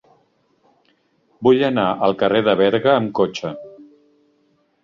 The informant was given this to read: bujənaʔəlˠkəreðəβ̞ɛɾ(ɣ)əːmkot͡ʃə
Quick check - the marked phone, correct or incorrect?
correct